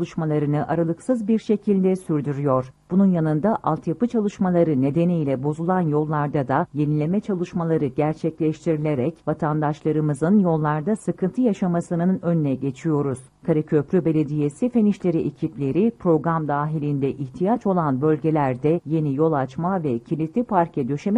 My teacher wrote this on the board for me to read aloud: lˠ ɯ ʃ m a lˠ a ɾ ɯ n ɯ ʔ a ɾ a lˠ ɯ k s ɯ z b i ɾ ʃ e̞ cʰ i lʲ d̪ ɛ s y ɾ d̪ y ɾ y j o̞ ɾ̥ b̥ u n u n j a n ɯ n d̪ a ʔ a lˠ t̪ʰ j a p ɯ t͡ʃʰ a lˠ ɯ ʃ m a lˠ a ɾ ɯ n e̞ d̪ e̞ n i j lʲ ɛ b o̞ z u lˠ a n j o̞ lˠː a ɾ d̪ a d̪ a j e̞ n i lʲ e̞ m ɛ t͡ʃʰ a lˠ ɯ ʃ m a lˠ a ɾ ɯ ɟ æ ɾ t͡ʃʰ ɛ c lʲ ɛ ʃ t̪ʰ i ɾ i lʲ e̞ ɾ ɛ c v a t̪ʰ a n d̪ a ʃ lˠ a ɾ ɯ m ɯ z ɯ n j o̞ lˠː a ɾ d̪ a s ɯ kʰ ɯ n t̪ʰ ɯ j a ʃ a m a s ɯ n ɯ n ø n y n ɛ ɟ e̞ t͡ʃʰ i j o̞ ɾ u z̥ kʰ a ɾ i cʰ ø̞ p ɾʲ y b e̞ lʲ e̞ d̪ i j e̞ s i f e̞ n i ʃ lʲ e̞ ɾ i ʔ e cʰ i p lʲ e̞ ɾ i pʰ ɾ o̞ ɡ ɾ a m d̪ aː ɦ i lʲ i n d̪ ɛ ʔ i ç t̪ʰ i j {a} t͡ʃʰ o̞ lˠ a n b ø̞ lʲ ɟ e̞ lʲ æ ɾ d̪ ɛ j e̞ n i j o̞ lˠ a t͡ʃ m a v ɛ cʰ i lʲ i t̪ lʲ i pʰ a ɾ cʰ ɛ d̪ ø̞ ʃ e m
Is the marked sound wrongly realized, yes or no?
no